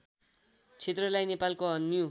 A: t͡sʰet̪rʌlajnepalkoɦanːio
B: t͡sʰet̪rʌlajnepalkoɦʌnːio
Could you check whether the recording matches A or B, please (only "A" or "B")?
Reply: B